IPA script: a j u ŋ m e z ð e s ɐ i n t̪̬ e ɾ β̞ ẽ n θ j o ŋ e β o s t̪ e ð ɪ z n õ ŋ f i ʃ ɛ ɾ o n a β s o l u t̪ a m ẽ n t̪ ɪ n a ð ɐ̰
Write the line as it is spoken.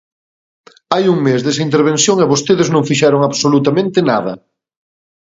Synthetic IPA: a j u ŋ m e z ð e s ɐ i n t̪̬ e ɾ β̞ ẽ n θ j o ŋ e β o s t̪ e ð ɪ z n õ ŋ f i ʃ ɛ ɾ o ŋ a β s o l u t̪ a m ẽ n t̪ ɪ n a ð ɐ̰